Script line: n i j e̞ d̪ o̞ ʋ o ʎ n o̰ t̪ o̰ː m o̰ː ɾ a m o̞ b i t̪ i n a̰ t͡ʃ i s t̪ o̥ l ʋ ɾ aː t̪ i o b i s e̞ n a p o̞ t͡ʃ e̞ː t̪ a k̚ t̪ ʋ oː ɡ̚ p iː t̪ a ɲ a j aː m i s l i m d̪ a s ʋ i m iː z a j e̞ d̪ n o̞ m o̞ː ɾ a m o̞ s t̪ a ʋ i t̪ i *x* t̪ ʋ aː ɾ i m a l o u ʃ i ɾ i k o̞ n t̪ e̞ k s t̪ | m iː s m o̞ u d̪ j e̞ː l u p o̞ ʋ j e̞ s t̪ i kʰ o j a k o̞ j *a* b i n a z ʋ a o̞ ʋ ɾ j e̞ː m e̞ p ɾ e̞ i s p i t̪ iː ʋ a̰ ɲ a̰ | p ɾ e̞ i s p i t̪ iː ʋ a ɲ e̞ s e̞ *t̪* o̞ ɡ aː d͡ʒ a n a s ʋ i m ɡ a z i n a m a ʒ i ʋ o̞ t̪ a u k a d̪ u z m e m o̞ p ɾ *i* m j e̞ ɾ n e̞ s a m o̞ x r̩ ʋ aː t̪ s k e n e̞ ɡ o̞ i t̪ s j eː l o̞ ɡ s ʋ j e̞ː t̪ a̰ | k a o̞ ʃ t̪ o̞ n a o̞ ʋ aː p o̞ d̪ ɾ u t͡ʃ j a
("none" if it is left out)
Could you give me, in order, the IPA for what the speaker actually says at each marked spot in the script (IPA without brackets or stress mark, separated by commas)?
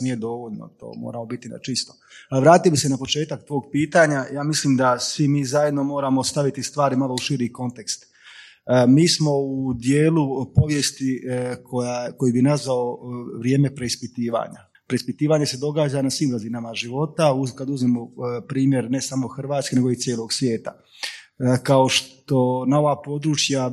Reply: s, i, d̪, iː